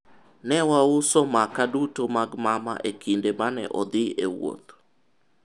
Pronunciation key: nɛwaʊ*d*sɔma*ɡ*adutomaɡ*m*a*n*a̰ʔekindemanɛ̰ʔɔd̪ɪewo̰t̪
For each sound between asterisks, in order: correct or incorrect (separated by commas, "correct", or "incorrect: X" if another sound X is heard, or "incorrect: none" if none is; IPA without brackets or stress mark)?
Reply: incorrect: none, incorrect: k, correct, incorrect: m